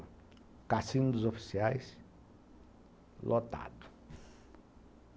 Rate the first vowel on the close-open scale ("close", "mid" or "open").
open